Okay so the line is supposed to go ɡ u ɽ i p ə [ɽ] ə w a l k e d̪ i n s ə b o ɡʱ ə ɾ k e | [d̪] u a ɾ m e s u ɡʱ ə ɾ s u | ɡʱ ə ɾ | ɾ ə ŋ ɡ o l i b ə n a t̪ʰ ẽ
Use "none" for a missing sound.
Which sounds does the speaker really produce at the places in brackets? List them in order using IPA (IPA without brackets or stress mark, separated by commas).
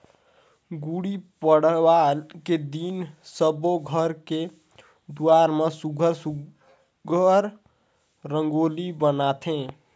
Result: ɽ, d̪